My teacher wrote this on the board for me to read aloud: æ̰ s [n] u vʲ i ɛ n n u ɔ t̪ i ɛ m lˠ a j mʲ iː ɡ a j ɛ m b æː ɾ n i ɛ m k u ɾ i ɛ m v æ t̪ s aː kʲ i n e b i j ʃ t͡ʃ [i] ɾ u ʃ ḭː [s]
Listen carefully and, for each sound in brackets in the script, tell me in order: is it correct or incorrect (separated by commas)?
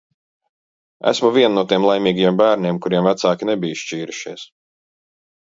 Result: incorrect, incorrect, correct